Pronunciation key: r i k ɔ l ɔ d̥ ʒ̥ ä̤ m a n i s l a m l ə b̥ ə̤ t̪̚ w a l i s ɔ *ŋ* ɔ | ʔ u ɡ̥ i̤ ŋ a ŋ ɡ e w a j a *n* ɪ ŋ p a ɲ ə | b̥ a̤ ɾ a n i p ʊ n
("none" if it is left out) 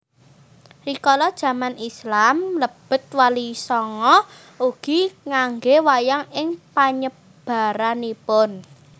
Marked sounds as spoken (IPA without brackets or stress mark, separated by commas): ŋ, ŋ